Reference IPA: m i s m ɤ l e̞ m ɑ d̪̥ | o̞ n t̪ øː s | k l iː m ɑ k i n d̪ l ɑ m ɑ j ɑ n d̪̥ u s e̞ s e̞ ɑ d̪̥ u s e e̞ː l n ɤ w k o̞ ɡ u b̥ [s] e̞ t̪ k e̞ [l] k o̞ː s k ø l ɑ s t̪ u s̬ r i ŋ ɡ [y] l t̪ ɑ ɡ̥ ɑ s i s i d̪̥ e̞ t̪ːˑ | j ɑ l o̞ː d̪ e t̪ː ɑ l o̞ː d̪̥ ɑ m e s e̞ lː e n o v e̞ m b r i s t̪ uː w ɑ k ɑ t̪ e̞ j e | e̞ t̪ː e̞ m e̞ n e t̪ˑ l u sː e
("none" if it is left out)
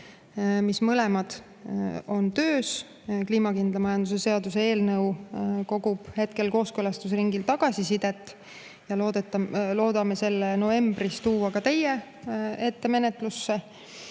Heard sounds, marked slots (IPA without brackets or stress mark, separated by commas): h, l, i